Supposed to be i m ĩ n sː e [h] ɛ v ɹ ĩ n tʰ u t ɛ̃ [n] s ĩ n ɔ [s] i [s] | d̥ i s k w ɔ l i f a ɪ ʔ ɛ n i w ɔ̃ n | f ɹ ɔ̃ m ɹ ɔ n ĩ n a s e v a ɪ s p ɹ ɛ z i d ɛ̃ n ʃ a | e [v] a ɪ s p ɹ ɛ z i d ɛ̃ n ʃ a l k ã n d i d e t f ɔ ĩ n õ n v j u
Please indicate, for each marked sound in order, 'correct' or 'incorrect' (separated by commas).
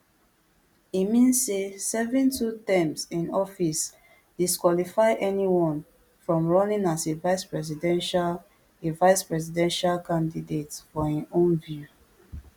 incorrect, incorrect, incorrect, correct, correct